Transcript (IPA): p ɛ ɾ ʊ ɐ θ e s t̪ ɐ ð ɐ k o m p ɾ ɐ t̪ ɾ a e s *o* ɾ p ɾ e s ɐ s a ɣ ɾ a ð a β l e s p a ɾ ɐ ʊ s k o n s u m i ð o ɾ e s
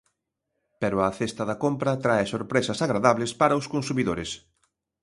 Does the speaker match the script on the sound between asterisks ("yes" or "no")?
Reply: yes